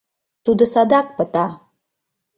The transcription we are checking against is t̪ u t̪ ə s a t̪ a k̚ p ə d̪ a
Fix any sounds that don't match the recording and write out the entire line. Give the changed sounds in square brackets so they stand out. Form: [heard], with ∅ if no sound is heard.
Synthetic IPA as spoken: t̪ u [d̪] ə s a [d̪] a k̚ p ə [t̪] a